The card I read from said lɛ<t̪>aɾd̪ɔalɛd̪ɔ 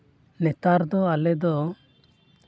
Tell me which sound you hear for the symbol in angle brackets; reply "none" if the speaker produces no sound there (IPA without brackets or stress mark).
t̪